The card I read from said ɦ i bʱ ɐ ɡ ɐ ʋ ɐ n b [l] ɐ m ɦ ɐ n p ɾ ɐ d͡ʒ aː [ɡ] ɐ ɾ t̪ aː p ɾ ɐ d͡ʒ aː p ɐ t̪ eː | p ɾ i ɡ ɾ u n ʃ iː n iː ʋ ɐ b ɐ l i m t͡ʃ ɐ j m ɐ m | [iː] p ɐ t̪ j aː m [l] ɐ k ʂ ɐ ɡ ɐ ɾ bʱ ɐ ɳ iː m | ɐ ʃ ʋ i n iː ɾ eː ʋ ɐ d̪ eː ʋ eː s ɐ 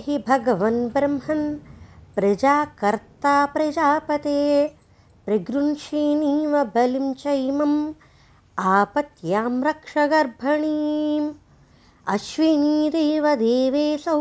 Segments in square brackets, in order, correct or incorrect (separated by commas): incorrect, incorrect, incorrect, incorrect